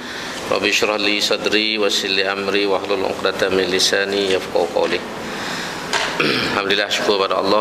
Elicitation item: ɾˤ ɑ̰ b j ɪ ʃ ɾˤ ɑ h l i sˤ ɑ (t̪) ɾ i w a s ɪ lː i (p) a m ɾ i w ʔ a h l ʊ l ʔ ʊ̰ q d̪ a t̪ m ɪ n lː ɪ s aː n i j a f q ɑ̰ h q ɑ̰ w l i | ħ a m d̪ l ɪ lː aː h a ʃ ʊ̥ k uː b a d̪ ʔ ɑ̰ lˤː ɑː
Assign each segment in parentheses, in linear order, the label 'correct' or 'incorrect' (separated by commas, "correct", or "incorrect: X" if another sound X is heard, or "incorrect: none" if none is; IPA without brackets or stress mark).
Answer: incorrect: d̪, incorrect: ʔ